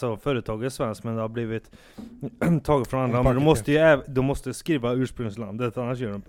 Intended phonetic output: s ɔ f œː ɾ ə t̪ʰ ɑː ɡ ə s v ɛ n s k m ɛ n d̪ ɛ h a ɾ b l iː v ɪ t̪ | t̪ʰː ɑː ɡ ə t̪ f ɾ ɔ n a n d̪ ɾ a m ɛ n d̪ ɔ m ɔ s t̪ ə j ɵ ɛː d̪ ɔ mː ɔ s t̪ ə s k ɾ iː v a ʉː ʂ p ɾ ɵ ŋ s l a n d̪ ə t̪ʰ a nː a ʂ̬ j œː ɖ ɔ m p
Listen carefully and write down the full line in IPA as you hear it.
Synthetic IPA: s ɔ f œː ɾ ə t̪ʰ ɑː ɡ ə s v ɛ n s k m ɛ n d̪ ɛ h a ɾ b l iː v ɪ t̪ | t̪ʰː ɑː ɡ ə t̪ f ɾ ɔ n a n d̪ ɾ a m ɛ n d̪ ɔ m ɔ s t̪ ə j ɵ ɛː d̪ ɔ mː ɔ s t̪ ə s k ɾ iː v a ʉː ʂ p ɾ ɵ ŋ s l a n d̪ ə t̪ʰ a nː a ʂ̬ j œː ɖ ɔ m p